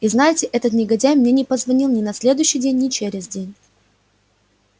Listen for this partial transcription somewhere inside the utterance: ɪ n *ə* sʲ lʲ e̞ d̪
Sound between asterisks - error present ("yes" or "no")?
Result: yes